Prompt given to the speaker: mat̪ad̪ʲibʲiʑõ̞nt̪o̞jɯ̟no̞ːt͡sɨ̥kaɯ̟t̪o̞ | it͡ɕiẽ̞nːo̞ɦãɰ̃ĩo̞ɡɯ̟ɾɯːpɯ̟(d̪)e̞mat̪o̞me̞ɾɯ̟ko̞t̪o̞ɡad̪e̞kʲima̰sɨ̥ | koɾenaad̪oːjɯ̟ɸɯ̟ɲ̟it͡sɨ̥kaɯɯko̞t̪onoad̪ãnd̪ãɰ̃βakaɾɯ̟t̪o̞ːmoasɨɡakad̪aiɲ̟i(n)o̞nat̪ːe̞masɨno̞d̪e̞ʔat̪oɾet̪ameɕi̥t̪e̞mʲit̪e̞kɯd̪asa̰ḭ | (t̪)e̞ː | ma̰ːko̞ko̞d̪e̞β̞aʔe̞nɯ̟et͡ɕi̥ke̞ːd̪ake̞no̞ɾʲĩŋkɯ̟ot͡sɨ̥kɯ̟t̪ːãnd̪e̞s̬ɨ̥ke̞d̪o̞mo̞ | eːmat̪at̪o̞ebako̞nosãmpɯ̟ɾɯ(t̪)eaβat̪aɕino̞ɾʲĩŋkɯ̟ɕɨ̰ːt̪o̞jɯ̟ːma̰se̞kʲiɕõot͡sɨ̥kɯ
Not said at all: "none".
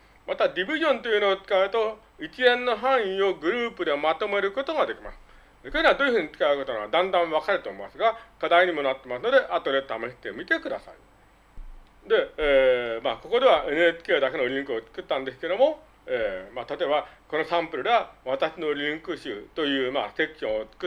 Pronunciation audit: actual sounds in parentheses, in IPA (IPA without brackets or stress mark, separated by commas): d̪, m, d̪, d̪